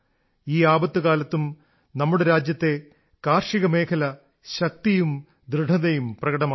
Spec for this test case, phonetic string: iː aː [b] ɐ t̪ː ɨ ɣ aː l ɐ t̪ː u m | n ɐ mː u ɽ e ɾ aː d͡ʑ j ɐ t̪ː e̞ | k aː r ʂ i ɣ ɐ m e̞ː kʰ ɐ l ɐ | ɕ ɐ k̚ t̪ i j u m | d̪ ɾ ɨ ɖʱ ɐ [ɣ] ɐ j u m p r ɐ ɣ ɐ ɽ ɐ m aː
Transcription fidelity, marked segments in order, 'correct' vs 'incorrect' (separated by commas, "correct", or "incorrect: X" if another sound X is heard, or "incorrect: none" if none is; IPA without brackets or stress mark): correct, incorrect: ð